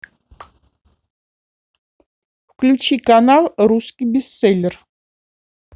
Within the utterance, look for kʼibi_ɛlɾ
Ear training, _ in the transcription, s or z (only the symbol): s